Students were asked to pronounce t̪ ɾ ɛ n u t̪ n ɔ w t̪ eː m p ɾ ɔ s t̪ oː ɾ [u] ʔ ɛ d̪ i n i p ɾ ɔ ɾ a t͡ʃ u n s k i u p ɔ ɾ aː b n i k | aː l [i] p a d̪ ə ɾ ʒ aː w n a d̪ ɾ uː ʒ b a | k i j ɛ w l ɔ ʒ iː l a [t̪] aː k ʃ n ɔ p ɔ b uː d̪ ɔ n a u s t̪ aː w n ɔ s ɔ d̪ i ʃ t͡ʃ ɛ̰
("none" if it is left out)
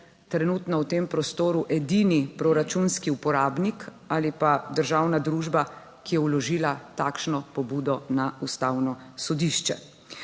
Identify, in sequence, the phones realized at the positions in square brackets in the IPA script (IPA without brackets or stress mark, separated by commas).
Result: u, i, t̪